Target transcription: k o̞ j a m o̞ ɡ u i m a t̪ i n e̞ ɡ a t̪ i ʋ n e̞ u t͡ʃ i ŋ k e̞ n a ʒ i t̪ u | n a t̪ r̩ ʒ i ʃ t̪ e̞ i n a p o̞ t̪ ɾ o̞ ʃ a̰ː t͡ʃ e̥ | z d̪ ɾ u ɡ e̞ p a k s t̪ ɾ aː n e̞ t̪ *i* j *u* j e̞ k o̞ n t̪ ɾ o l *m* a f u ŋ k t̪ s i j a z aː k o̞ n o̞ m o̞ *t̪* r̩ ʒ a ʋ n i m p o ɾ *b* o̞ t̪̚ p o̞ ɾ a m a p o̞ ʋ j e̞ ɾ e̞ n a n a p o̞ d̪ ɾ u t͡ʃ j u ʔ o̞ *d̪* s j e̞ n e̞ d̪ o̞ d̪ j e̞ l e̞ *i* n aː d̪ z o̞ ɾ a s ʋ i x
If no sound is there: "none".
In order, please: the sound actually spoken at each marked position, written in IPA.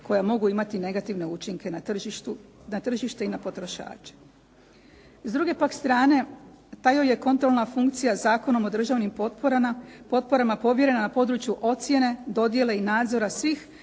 a, o, n, d̪, p, t̪, i

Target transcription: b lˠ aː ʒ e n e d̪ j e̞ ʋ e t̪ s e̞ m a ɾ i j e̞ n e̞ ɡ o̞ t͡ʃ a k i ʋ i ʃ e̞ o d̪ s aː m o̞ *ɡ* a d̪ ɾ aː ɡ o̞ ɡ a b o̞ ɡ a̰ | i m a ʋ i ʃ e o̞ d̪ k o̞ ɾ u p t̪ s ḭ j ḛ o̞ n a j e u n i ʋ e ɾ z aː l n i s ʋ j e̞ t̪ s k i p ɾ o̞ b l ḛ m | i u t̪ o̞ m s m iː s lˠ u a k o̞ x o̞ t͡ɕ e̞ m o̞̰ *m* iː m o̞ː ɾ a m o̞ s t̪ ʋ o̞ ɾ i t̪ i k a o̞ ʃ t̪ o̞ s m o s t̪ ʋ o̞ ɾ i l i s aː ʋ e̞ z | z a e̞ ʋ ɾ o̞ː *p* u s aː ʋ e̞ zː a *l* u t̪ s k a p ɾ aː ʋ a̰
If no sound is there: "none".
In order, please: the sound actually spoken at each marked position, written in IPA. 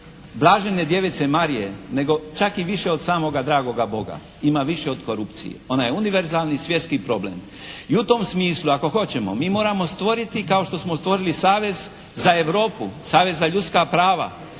ɡ, m, p, ʎ

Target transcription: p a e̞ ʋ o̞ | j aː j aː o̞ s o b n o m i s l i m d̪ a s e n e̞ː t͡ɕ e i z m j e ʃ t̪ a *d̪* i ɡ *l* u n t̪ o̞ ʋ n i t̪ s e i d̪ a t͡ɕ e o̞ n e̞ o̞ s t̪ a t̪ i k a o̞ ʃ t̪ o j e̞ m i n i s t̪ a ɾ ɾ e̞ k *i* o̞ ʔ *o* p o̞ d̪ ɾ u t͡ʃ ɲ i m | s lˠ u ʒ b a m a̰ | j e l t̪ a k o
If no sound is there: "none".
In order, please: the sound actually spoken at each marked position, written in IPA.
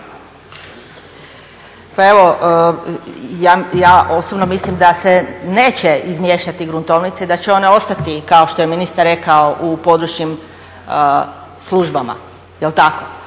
t̪, ɾ, a, u

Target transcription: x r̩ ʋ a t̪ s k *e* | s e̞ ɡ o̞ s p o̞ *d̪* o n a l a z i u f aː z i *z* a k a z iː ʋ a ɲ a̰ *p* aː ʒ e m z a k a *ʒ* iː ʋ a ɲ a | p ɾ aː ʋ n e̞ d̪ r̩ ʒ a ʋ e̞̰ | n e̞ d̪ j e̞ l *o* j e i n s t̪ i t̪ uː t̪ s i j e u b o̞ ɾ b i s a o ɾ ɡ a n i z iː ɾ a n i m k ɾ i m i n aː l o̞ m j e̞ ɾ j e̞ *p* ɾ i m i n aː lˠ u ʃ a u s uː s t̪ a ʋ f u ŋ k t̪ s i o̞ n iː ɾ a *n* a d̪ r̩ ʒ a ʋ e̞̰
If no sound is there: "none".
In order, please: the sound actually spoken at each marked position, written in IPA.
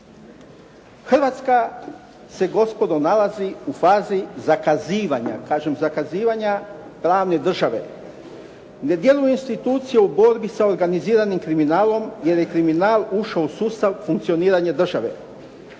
a, d̪, z, k, z, u, k, ɲ

